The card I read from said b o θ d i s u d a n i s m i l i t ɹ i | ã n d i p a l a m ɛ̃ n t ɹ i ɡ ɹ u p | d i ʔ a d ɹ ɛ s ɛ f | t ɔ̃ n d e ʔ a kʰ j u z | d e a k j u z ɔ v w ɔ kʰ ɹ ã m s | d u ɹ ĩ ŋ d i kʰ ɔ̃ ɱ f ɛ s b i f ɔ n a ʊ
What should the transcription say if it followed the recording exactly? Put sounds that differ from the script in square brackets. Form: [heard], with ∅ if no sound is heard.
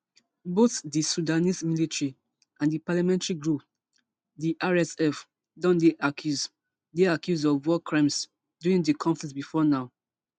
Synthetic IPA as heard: b o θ d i s u d a n i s m i l i t ɹ i | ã n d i p a l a m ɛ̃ n t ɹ i ɡ ɹ u p | d i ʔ a [∅] ɹ ɛ s ɛ f | [d] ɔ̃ n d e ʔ a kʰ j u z | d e a k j u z ɔ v w ɔ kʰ ɹ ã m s | d u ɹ ĩ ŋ d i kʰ ɔ̃ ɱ f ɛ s b i f ɔ n a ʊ